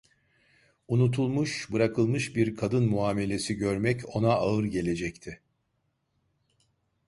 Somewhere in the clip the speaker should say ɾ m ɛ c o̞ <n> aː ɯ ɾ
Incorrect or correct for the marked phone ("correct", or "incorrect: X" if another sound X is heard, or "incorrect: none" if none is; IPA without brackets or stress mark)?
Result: correct